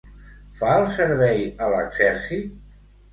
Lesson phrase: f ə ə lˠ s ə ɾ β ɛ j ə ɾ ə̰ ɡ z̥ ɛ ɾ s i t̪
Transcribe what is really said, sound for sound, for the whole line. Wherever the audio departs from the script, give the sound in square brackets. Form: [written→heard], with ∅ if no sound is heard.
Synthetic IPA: f [ə→a] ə lˠ s ə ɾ β ɛ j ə [ɾ→l] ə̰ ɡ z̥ ɛ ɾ s i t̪